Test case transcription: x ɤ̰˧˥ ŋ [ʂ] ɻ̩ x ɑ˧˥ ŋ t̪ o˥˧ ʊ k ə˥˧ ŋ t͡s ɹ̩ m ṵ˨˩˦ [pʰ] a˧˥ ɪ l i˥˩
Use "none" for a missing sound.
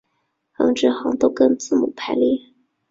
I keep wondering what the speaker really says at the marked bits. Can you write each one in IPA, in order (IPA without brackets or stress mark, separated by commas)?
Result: ʈ͡ʂ, pʰ